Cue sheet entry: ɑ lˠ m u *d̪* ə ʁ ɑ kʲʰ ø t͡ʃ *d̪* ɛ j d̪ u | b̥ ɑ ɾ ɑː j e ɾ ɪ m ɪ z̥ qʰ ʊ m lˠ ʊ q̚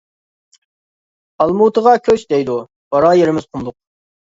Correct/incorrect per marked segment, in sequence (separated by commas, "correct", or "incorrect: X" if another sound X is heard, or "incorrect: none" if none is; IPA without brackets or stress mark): incorrect: t̪, correct